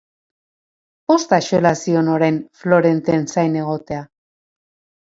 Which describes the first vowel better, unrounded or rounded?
rounded